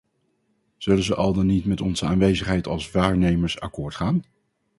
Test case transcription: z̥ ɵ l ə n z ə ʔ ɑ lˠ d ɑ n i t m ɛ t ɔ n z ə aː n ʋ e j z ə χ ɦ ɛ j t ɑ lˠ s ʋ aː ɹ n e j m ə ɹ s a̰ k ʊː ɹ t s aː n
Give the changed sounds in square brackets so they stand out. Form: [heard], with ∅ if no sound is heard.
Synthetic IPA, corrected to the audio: z̥ ɵ l ə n z ə ʔ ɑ lˠ d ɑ n i t m ɛ t ɔ n z ə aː n ʋ e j z ə χ ɦ ɛ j t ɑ lˠ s ʋ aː ɹ n e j m ə ɹ s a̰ k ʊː ɹ t [χ] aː n

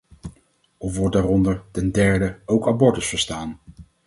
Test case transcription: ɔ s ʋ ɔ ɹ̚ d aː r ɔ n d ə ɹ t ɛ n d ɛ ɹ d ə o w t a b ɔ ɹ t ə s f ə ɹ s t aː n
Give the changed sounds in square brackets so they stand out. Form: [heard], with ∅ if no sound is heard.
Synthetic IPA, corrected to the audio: ɔ [f] ʋ ɔ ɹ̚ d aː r ɔ n d ə ɹ t ɛ n d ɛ ɹ d ə o w [k] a b ɔ ɹ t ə s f ə ɹ s t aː n

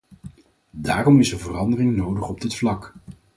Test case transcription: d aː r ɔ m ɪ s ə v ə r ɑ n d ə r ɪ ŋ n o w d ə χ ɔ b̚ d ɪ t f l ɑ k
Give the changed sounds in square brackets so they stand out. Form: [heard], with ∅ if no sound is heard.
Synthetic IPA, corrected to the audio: d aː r ɔ m ɪ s ə v ə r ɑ n d ə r ɪ ŋ n o w d ə χ ɔ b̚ d ɪ t f l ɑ k

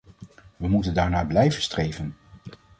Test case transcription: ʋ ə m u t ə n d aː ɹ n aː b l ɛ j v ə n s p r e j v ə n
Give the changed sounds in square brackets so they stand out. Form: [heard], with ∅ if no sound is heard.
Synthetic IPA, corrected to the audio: ʋ ə m u t ə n d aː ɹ n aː b l ɛ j v ə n s [t] r e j v ə n

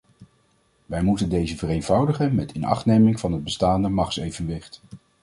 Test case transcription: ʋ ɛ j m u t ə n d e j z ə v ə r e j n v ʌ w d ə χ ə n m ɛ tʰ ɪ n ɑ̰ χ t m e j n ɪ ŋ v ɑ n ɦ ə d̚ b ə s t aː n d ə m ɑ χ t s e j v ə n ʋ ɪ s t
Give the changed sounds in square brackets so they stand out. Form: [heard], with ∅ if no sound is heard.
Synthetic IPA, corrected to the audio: ʋ ɛ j m u t ə n d e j z ə v ə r e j n v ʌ w d ə χ ə n m ɛ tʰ ɪ n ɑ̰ χ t [n] e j [m] ɪ ŋ v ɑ n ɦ ə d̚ b ə s t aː n d ə m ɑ χ t s e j v ə n ʋ ɪ [χ] t

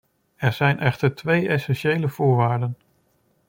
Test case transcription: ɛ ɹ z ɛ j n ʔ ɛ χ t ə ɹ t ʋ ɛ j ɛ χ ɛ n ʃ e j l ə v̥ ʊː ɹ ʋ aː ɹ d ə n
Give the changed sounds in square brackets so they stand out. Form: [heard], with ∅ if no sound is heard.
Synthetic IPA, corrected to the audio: ɛ ɹ z ɛ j n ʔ ɛ χ t ə ɹ t ʋ [e] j ɛ [s] ɛ n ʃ e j l ə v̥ ʊː ɹ ʋ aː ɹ d ə n

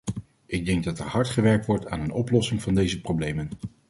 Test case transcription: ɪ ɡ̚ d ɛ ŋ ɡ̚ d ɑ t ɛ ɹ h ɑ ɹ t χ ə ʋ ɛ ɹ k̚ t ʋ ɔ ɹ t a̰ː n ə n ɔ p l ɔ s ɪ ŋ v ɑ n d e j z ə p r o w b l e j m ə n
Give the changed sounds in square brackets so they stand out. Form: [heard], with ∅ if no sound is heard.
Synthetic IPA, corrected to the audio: ɪ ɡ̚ d ɛ ŋ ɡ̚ d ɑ t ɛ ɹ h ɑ ɹ t χ ə ʋ ɛ ɹ k̚ t ʋ ɔ ɹ t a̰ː n ə n ɔ p l ɔ s ɪ ŋ v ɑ n d e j z ə p r o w b l e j m ə n

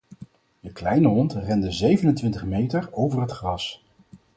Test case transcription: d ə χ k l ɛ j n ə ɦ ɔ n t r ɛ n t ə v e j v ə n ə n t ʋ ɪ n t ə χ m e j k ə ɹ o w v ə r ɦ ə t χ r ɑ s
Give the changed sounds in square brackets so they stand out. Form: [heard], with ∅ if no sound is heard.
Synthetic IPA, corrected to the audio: d ə [∅] k l ɛ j n ə ɦ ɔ n t r ɛ n [d] ə [z] e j v ə n ə n t ʋ ɪ n t ə χ m e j [t] ə ɹ o w v ə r ɦ ə t χ r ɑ s

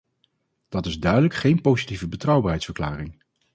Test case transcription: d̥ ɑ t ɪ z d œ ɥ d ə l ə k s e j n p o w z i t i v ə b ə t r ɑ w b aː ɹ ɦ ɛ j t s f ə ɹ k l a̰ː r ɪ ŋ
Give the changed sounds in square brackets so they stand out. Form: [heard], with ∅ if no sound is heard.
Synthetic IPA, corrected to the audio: d̥ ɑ t ɪ z d œ ɥ d ə l ə k [χ] e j n p o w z i t i v ə b ə t r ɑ w b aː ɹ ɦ ɛ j t s f ə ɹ k l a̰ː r ɪ ŋ

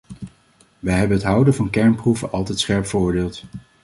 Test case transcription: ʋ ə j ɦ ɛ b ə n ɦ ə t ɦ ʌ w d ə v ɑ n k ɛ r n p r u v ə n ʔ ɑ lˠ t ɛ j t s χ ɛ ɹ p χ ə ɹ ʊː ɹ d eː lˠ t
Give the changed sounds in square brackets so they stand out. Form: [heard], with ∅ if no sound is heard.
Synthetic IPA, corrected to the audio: ʋ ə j ɦ ɛ b ə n ɦ ə t ɦ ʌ w d ə v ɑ n k ɛ [ɹ] n p r u v ə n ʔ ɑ lˠ t ɛ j t s χ ɛ ɹ p [f] ə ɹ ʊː ɹ d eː lˠ t

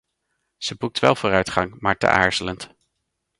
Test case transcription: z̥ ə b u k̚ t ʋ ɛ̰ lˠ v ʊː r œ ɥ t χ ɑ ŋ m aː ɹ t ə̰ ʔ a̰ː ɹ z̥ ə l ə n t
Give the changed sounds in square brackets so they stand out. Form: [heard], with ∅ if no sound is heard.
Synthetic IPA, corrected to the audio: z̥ ə b u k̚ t ʋ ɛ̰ lˠ v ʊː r œ ɥ t χ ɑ ŋ m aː ɹ t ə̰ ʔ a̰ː ɹ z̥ ə l ə n t

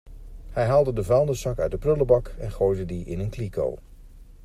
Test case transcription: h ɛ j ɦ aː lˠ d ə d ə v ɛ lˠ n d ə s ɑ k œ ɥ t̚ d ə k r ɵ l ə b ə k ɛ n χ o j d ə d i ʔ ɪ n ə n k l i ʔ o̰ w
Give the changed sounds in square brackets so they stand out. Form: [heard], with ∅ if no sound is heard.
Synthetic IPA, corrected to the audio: h ɛ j ɦ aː lˠ d ə d ə v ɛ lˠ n d ə s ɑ k œ ɥ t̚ d ə [p] r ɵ l ə b [ɑ] k ɛ n χ o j d ə d i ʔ ɪ n ə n k l i [k] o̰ w

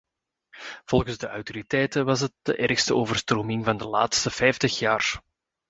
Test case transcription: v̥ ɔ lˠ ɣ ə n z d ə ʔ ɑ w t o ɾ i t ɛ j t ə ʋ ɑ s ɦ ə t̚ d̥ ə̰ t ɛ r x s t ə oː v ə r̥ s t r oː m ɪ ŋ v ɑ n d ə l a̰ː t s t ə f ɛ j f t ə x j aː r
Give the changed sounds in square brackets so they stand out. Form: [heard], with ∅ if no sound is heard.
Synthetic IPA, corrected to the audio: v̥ ɔ lˠ ɣ ə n z d ə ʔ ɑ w t o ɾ i t ɛ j t ə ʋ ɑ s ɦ ə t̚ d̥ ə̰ [ʔ] ɛ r x s t ə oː v ə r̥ s t r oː m ɪ ŋ v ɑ n d ə l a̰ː t s t ə f ɛ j f t ə x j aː r

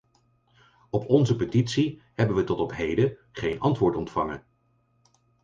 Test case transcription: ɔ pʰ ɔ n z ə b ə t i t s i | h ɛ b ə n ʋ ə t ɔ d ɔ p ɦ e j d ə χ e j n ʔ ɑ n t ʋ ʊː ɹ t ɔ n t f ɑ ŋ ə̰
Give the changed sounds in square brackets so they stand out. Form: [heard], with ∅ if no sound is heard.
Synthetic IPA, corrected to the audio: ɔ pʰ ɔ n z ə [p] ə t i t s i | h ɛ b ə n ʋ ə t ɔ [t] ɔ p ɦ e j d ə χ e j n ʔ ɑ n t ʋ ʊː ɹ t ɔ n t f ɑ ŋ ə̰

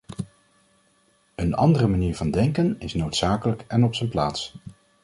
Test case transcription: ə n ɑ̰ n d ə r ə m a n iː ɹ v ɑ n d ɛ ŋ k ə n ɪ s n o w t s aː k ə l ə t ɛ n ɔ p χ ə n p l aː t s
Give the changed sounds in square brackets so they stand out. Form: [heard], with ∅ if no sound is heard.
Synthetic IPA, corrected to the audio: ə n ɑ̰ n d ə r ə m a n iː ɹ v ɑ n d ɛ ŋ k ə n ɪ s n o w t s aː k ə l ə [k] ɛ n ɔ p [s] ə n p l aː t s

